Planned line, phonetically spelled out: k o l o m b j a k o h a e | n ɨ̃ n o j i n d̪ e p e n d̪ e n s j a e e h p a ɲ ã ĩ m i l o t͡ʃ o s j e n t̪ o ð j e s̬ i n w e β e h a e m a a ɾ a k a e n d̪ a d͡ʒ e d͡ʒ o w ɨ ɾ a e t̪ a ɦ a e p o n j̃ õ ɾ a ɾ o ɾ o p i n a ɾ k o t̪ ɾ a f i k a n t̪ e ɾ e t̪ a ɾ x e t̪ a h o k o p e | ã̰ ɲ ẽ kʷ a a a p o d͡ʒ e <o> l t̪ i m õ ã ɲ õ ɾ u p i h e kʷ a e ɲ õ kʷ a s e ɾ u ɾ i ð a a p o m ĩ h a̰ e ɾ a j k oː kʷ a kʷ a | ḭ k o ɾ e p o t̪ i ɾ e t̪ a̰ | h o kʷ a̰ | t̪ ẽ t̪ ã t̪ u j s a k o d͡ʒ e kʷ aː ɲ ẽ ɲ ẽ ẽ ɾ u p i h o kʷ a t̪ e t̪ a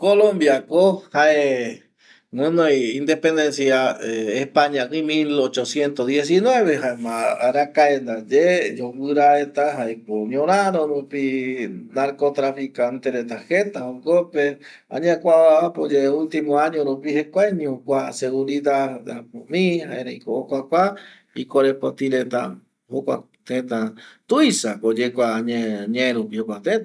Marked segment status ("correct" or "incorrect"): incorrect